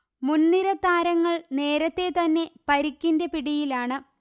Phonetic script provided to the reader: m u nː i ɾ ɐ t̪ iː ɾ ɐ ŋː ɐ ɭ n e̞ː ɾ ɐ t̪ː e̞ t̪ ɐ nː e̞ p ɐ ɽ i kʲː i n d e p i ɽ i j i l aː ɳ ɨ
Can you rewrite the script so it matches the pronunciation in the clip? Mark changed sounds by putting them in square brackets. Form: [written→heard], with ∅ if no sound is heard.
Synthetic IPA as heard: m u nː i ɾ ɐ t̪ [iː→aː] ɾ ɐ ŋː ɐ ɭ n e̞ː ɾ ɐ t̪ː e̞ t̪ ɐ nː e̞ p ɐ [ɽ→ɾ] i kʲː i n d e p i ɽ i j i l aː ɳ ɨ